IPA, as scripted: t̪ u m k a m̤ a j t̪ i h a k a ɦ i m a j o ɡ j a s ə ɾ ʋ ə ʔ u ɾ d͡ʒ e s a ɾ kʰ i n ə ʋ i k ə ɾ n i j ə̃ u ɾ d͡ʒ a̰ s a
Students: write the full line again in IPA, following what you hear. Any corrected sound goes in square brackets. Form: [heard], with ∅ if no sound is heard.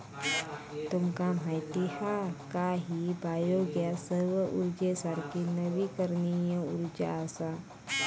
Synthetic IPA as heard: t̪ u m k a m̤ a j t̪ i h a k a ɦ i [b] a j o ɡ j a s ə ɾ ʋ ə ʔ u ɾ d͡ʒ e s a ɾ [k] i n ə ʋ i k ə ɾ n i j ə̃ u ɾ d͡ʒ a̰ s a